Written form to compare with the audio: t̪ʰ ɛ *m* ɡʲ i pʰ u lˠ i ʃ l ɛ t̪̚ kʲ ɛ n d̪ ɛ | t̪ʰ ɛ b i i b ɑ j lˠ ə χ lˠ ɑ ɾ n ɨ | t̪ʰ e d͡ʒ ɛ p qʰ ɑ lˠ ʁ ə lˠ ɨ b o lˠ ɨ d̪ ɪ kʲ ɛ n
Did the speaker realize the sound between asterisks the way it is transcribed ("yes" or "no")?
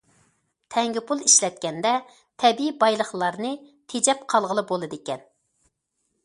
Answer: no